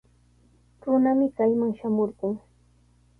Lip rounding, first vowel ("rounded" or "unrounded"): rounded